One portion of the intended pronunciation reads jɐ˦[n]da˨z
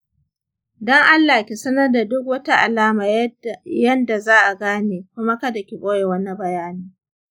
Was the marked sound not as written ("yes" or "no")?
no